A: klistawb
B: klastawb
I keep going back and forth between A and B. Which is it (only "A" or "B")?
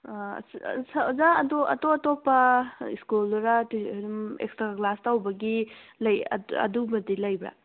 B